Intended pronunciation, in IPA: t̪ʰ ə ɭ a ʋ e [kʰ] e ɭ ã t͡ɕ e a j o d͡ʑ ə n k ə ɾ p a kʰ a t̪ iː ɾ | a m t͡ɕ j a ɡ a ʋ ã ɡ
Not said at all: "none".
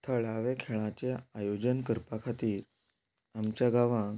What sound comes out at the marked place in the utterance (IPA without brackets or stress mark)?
kʰ